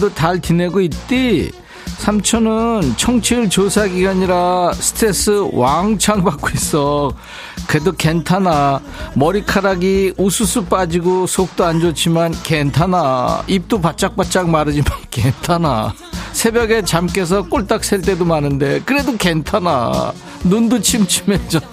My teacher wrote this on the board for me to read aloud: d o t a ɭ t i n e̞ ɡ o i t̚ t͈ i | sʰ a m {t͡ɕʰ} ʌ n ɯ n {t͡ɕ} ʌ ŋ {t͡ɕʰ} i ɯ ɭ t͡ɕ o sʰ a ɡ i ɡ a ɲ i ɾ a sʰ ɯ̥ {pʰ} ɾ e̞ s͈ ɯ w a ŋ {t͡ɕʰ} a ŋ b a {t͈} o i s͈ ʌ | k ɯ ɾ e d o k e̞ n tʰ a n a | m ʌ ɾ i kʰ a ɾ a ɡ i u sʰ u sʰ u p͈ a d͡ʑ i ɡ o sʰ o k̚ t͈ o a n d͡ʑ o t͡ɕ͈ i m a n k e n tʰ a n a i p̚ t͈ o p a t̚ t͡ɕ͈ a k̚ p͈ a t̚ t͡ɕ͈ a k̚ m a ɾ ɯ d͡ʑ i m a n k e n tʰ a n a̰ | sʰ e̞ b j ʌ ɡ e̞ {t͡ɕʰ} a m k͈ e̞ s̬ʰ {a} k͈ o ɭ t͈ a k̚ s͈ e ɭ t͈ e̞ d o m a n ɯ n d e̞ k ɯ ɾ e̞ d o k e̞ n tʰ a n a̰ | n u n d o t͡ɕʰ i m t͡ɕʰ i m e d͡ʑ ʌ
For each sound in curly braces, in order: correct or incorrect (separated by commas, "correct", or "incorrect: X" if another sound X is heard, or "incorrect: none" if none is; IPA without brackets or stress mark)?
correct, incorrect: t͡ɕʰ, correct, incorrect: tʰ, correct, incorrect: k͈, incorrect: t͡ɕ, incorrect: ʌ